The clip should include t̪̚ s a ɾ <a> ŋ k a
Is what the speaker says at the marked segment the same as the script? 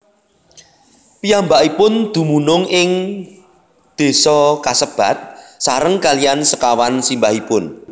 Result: no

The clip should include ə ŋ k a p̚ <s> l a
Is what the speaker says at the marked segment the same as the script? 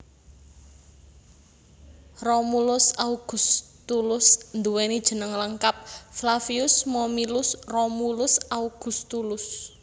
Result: no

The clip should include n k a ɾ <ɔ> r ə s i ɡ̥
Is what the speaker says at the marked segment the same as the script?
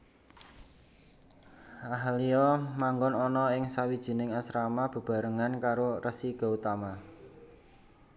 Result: no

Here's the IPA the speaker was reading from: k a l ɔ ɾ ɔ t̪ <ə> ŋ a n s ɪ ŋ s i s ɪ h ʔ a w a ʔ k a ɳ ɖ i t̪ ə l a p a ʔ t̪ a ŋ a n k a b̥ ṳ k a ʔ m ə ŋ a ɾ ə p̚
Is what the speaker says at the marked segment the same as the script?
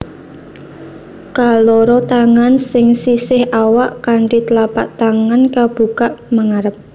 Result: no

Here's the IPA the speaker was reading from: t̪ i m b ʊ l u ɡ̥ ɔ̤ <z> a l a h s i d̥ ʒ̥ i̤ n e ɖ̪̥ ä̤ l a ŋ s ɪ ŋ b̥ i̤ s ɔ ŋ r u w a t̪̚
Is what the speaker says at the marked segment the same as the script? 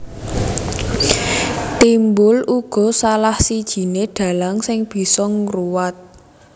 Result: no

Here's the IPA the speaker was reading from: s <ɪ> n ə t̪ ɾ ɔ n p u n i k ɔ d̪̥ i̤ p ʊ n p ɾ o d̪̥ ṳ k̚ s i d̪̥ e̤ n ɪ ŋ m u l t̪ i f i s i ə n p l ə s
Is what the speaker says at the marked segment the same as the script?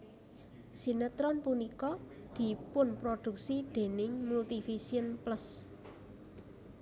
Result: no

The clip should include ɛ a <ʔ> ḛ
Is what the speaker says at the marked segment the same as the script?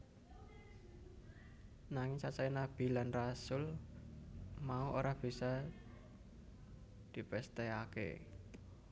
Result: no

